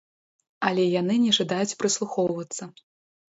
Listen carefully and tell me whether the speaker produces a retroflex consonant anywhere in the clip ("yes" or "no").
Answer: yes